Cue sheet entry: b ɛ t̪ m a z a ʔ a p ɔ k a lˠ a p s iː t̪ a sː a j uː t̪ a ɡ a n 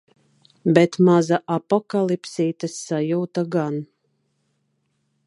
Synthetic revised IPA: b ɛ t̪ m a z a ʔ a p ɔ k a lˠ i p s iː t̪ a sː a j uː t̪ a ɡ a n